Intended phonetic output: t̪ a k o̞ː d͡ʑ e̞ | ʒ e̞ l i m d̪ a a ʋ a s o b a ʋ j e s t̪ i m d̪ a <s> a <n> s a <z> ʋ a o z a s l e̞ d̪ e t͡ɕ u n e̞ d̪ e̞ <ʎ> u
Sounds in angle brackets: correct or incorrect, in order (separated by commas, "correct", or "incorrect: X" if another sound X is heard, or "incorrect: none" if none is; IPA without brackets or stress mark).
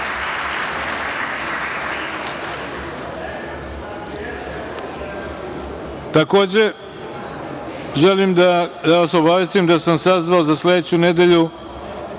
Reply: correct, incorrect: m, correct, correct